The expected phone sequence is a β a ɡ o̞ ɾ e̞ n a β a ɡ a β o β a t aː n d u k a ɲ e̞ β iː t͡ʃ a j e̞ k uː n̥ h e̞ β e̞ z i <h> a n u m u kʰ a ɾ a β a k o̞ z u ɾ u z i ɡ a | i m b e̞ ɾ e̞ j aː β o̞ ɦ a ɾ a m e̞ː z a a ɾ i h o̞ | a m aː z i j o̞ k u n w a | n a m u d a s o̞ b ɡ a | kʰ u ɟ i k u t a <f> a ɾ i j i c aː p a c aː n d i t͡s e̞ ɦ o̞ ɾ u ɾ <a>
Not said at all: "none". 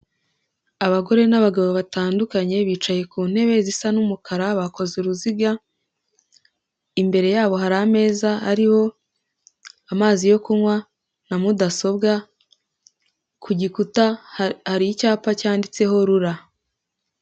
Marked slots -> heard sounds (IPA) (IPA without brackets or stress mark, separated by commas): s, h, a